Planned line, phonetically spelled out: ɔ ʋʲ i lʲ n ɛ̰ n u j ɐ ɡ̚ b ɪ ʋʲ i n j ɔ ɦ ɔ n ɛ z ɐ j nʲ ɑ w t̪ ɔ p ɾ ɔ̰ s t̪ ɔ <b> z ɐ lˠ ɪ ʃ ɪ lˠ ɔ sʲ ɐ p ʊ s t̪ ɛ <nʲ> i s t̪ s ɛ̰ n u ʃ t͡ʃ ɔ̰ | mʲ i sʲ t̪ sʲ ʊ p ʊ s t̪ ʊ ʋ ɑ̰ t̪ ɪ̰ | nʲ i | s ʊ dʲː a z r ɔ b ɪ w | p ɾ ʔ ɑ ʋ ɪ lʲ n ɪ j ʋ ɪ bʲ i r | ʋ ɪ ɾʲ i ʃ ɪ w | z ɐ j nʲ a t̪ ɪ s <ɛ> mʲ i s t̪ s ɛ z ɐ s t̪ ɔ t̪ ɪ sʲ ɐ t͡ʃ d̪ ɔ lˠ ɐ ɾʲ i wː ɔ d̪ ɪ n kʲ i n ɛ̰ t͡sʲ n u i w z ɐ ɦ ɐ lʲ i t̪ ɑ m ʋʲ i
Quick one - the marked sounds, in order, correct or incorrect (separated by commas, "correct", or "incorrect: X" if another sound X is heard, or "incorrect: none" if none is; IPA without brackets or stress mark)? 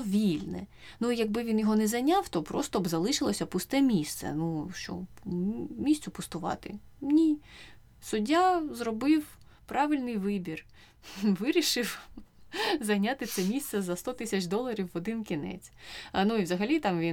correct, incorrect: mʲ, correct